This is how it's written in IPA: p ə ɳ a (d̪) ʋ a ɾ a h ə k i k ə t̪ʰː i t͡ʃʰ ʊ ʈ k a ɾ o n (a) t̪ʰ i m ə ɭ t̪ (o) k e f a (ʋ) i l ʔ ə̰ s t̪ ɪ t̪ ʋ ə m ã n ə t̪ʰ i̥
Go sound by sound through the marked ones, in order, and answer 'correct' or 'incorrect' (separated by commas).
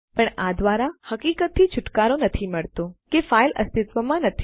correct, incorrect, correct, incorrect